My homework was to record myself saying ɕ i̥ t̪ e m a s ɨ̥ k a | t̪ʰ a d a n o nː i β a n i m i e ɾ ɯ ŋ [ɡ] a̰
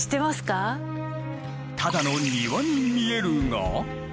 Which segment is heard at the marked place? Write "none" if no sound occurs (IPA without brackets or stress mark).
ɡ